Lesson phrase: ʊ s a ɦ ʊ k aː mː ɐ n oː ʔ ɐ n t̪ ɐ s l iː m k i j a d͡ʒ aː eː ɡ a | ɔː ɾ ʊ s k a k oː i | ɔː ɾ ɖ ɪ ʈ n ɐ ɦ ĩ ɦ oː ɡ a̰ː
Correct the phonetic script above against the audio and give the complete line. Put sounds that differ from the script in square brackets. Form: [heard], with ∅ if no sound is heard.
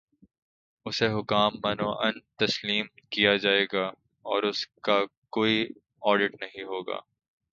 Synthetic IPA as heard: ʊ s [e] ɦ ʊ k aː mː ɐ n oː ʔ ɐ n t̪ ɐ s l iː m k i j a d͡ʒ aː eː ɡ a | ɔː ɾ ʊ s k a k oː i | ɔː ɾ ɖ ɪ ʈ n ɐ ɦ ĩ ɦ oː ɡ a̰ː